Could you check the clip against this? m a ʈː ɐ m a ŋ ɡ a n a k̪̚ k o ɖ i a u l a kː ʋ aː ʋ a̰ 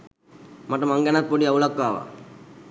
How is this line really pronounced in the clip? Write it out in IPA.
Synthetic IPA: m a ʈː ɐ m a ŋ ɡ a n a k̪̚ p o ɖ i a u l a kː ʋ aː ʋ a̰